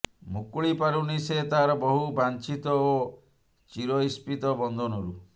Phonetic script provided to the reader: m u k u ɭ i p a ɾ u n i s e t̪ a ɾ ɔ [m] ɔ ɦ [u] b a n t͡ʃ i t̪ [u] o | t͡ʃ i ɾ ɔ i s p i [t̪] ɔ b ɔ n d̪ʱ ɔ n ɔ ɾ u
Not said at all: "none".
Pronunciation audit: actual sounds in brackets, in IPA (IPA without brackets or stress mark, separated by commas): b, u, ɔ, t̪